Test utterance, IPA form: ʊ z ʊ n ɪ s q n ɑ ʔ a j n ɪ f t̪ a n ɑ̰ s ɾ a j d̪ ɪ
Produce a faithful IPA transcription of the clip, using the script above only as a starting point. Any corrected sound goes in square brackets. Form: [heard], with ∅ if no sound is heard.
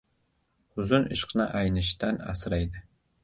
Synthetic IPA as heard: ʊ z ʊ n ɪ [ʃ] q n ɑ ʔ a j n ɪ [ʃ] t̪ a n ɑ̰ s ɾ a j d̪ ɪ